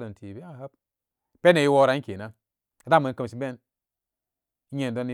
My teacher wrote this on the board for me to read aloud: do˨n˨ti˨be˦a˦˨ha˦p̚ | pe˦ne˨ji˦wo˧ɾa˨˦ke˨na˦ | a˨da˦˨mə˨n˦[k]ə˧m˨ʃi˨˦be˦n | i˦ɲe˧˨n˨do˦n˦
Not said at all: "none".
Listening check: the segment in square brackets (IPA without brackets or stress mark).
k